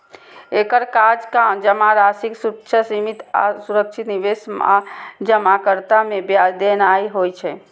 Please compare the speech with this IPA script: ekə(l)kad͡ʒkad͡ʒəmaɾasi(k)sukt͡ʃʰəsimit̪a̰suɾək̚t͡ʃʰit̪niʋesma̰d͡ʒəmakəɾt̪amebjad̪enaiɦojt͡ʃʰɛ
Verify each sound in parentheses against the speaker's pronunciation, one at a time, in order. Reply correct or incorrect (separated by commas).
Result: incorrect, correct